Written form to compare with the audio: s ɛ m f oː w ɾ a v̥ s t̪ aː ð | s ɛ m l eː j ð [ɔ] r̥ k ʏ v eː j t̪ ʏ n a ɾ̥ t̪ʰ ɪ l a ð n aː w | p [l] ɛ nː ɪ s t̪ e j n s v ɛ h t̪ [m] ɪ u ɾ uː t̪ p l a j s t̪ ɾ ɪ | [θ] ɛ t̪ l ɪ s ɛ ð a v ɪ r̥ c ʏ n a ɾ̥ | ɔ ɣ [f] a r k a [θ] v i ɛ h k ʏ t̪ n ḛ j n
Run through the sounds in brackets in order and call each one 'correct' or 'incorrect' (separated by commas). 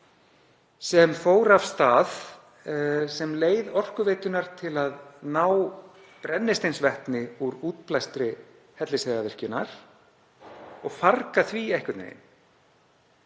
correct, incorrect, incorrect, incorrect, correct, correct